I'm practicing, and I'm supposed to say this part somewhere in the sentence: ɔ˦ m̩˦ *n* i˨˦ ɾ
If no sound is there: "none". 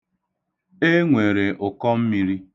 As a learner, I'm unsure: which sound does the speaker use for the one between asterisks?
m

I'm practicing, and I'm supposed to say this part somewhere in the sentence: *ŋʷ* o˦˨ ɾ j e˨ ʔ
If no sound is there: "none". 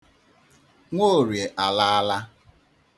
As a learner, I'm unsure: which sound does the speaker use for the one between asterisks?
ŋʷ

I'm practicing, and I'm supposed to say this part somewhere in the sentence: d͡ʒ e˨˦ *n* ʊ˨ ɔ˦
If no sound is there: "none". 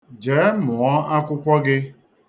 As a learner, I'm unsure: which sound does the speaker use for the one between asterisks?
m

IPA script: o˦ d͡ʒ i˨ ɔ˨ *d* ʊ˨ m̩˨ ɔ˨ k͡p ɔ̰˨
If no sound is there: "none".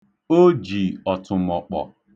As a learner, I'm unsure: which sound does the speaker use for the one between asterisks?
t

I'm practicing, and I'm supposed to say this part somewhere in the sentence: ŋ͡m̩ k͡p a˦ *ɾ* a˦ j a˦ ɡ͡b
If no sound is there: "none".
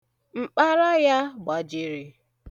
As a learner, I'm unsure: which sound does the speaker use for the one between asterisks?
ɾ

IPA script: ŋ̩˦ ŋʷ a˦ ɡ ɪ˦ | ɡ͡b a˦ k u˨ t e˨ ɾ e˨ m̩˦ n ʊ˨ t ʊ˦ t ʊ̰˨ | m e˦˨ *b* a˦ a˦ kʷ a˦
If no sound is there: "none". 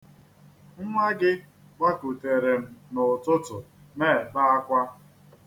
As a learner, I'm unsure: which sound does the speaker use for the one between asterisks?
b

